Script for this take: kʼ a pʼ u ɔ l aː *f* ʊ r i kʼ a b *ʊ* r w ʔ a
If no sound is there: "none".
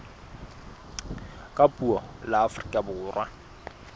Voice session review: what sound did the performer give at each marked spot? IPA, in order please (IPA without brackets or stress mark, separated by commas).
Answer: f, ʊː